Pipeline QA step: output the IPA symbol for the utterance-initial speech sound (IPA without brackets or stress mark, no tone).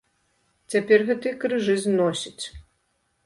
t͡sʲ